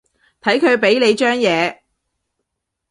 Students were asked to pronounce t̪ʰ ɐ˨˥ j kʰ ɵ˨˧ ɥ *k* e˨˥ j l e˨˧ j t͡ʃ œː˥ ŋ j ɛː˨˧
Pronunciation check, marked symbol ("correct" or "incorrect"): incorrect